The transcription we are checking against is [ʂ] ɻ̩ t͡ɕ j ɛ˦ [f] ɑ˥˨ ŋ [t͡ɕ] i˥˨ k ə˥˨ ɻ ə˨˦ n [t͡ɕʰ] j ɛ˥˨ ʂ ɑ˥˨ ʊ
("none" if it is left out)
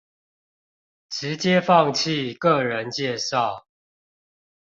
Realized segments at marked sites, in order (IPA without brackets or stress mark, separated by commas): ʈ͡ʂ, f, t͡ɕʰ, t͡ɕ